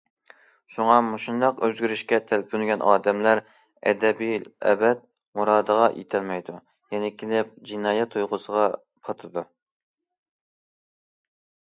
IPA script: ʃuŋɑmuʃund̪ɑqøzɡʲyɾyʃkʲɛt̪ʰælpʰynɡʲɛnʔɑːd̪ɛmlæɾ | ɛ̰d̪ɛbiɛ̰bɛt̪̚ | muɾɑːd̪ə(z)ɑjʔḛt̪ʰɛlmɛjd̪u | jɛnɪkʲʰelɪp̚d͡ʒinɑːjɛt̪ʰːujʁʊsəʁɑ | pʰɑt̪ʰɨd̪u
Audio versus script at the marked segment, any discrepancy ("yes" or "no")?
yes